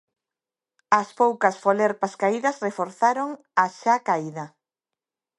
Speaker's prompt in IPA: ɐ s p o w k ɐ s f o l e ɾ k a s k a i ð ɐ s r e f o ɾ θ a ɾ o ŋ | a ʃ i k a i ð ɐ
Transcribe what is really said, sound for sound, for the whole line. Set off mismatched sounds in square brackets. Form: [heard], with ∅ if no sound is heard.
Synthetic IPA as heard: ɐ s p o w k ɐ s f o l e ɾ [p] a s k a i ð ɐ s r e f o ɾ θ a ɾ o ŋ | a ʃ [a] k a i ð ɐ